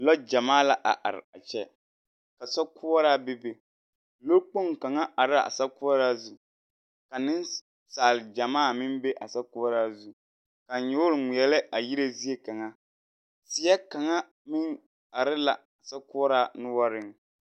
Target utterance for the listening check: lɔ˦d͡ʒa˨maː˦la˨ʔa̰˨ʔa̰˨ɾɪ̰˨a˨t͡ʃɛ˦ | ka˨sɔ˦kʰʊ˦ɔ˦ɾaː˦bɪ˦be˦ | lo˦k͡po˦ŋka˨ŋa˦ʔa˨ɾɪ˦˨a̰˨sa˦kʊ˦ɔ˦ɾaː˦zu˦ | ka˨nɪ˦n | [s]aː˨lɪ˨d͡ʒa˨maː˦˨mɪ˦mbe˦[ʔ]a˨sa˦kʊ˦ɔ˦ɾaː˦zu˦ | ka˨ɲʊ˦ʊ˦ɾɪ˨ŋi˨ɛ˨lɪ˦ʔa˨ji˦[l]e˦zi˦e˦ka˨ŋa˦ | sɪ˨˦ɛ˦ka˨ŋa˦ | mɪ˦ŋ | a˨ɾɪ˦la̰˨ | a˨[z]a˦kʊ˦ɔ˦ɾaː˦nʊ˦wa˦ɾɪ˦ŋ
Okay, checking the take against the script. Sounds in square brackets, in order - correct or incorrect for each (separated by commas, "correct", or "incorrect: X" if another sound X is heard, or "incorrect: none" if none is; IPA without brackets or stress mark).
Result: correct, correct, incorrect: ɾ, incorrect: s